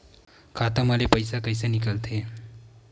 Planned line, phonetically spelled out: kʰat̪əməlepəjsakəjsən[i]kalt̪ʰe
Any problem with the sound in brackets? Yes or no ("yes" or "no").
no